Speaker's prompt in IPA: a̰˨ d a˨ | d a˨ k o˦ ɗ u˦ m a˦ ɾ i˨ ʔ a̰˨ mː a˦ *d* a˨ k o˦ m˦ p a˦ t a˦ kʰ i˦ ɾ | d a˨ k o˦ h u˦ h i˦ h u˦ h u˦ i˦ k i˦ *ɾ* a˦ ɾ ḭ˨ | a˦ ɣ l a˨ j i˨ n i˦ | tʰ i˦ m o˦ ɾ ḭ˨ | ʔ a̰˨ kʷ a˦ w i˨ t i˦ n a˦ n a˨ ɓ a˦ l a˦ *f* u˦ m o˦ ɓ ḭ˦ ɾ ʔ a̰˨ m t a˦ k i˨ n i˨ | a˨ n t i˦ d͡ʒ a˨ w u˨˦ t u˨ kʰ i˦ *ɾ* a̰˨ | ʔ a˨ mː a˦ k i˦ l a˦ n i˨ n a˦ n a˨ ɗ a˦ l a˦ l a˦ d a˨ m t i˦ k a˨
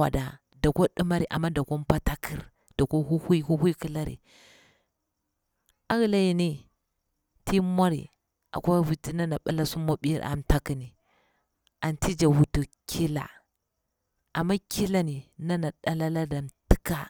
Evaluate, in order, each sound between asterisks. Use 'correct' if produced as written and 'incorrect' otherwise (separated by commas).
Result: correct, incorrect, incorrect, incorrect